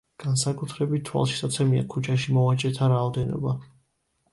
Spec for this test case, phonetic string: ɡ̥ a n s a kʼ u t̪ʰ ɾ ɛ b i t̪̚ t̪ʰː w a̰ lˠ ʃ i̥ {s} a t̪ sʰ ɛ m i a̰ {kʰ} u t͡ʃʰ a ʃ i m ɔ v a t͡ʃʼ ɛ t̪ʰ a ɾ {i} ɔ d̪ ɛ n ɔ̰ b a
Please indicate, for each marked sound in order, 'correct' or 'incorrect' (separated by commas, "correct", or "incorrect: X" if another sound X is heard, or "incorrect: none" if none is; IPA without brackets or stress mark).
correct, correct, incorrect: a